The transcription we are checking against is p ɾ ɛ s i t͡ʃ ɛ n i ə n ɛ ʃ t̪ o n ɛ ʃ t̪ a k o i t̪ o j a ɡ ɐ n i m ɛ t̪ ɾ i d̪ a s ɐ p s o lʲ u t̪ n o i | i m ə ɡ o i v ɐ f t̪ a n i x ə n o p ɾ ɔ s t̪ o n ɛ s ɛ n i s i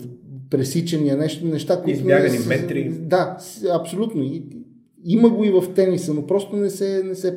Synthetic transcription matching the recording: p ɾ ɛ s i t͡ʃ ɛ n i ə n ɛ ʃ t̪ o n ɛ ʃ t̪ a k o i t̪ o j a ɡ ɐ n i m ɛ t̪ ɾ i d̪ a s ɐ p s o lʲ u t̪ n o i | i m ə ɡ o i v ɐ f t̪ ɛ n i s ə n o p ɾ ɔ s t̪ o n ɛ s ɛ n ɛ s ɛ